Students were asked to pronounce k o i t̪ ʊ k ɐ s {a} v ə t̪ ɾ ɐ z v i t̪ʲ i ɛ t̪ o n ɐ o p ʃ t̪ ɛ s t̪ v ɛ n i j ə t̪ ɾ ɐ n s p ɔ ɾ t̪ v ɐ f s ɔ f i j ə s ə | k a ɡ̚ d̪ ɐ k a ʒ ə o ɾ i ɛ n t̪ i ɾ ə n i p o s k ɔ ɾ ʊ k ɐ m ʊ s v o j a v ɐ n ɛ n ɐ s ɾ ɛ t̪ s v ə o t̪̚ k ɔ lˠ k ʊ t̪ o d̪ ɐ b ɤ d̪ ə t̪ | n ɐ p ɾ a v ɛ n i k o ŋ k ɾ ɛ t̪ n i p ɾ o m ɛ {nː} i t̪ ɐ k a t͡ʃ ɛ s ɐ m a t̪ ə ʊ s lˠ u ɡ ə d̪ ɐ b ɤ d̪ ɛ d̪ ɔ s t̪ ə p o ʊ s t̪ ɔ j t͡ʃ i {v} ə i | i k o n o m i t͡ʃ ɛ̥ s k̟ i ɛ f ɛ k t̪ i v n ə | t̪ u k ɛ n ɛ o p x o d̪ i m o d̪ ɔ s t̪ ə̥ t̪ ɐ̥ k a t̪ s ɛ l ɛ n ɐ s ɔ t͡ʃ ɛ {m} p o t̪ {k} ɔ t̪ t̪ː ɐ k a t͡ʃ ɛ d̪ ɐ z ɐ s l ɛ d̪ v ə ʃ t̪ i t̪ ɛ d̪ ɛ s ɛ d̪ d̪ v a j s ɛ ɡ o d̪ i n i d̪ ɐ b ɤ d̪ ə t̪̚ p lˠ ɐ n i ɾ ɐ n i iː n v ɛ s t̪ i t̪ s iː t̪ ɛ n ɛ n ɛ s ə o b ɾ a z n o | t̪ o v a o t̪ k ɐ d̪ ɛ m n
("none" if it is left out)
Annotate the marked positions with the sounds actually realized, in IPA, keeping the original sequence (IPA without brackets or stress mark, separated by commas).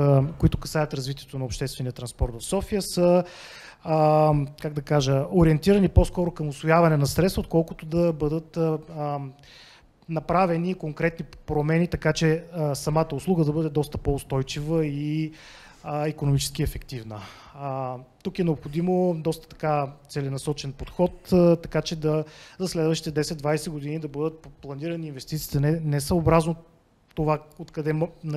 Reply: a, n, v, n, x